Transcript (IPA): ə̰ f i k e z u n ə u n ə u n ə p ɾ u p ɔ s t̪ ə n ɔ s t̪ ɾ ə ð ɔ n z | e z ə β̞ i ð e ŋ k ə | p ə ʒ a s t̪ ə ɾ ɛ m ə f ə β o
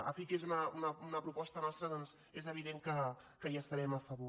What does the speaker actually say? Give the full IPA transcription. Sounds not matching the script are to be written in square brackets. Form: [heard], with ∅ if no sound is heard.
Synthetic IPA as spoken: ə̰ f i k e z u n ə u n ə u n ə p ɾ u p ɔ s t̪ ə n ɔ s t̪ ɾ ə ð ɔ n z | e z ə β̞ i ð e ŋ k ə | [k] ə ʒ a s t̪ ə ɾ ɛ m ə f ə β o